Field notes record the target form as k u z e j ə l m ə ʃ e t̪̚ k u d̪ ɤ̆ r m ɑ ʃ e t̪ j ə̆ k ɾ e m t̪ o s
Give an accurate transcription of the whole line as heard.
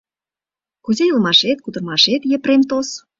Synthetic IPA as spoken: k u z e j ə l m ɑ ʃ e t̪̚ k u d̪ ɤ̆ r m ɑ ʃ e t̪ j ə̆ p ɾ e m t̪ o s